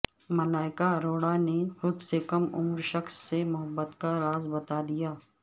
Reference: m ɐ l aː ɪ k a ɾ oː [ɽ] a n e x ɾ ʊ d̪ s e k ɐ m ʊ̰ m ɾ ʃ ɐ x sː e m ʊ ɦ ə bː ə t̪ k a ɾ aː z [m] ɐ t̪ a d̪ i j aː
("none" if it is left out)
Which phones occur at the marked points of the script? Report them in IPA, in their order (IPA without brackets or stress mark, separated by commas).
ɽ, b